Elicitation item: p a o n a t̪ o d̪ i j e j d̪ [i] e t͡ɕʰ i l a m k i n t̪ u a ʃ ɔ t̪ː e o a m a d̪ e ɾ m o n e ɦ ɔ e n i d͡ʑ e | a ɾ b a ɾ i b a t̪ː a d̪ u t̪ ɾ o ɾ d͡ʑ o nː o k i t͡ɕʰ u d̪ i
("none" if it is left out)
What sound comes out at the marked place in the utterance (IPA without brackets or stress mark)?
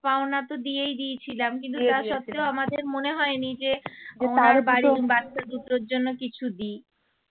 i